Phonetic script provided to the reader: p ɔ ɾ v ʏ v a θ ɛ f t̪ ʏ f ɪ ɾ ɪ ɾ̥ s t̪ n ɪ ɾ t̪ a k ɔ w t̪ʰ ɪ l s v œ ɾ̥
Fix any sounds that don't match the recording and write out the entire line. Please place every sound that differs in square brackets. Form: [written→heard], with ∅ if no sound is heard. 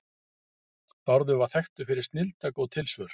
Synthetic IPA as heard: p ɔ ɾ [v→ð] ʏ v a θ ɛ [f→x] t̪ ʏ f ɪ ɾ ɪ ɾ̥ s t̪ n ɪ [ɾ→l] t̪ a k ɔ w t̪ʰ ɪ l s v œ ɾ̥